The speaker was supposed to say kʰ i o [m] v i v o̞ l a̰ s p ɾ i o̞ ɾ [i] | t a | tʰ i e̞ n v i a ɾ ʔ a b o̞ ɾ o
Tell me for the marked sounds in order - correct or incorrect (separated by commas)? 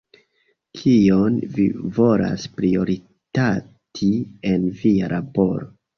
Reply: incorrect, correct